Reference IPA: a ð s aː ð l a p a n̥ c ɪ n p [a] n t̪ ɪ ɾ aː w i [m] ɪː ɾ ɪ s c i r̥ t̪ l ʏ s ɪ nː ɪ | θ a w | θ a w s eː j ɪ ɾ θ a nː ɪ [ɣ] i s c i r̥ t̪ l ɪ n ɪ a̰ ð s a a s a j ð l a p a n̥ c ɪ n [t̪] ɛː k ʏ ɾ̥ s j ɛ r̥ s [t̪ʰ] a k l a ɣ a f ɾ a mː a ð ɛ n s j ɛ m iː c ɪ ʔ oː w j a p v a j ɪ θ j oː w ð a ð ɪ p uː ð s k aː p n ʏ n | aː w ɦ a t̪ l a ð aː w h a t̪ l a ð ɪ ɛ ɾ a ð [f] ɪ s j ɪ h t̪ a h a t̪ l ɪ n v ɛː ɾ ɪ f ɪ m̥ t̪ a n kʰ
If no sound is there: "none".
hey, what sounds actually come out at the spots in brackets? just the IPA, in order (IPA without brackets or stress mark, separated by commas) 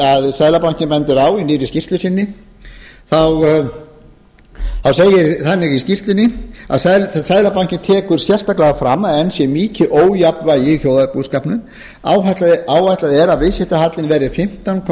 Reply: ɛ, n, ɣ, t̪ʰ, t̪, v